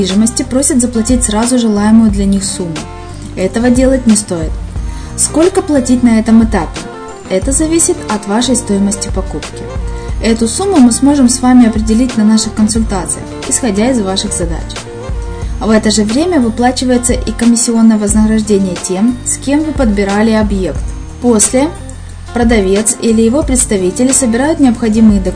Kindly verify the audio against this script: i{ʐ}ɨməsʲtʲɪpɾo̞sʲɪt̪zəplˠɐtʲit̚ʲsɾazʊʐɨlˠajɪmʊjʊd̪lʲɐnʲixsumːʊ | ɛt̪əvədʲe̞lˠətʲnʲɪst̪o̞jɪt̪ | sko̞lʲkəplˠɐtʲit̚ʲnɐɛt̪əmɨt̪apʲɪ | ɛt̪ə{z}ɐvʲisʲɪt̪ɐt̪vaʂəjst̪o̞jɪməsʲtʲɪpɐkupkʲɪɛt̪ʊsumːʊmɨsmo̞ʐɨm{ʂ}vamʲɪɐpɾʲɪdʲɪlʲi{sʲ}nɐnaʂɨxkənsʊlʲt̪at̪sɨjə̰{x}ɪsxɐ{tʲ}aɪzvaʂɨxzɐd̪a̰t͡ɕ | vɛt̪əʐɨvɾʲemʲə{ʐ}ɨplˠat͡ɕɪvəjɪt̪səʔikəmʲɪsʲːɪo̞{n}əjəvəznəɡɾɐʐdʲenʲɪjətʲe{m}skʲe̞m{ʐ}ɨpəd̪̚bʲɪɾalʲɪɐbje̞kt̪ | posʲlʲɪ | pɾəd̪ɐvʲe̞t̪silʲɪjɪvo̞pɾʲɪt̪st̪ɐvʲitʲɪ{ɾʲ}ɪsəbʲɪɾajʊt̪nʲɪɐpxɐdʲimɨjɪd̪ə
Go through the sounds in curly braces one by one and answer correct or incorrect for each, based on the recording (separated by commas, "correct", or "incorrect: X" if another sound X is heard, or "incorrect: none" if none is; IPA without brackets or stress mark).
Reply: correct, correct, incorrect: s, incorrect: tʲ, correct, incorrect: dʲ, incorrect: v, incorrect: nː, correct, incorrect: v, incorrect: lʲ